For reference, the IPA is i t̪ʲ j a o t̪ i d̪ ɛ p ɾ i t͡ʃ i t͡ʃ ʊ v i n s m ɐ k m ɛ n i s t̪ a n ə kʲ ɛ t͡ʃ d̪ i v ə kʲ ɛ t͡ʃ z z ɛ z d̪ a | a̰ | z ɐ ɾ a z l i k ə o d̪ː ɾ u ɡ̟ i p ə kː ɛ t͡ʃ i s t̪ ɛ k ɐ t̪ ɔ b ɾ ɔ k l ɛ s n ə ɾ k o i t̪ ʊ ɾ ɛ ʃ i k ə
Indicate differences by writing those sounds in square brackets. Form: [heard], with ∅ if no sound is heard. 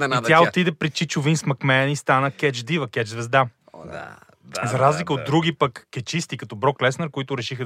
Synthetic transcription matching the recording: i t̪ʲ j a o t̪ i d̪ ɛ p ɾ i t͡ʃ i t͡ʃ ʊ v i n s m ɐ k m ɛ n i s t̪ a n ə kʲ ɛ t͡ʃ d̪ i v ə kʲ ɛ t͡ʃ z [v] ɛ z d̪ a | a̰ | z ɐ ɾ a z l i k ə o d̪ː ɾ u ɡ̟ i p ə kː ɛ t͡ʃ i s t̪ [i] k ɐ t̪ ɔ b ɾ ɔ k l ɛ s n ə ɾ k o i t̪ ʊ ɾ ɛ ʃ i [x] ə